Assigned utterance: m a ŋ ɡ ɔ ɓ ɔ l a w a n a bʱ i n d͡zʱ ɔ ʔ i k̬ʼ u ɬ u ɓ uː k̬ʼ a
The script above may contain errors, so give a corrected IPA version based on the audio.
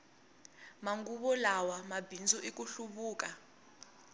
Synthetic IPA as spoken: m a ŋ ɡ u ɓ ɔ l a w a m a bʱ i n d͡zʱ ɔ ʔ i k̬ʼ u ɬ u ɓ uː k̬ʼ a

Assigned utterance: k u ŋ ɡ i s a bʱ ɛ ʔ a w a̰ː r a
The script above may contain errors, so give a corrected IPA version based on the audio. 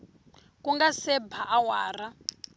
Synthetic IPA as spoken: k u ŋ ɡ a s ɛ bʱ a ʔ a w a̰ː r a

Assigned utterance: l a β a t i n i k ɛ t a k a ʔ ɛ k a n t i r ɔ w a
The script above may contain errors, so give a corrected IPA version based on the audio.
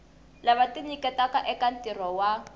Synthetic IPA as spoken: l a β a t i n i k ɛ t a k a ʔ ɛ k a n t i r ɔ w a

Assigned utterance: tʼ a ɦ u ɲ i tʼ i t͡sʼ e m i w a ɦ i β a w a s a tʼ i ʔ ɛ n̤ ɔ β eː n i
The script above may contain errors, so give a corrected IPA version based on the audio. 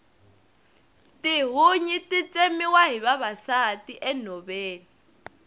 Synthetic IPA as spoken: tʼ i ɦ u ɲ i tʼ i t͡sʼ e m i w a ɦ i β a β a s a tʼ i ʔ ɛ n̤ ɔ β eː n i

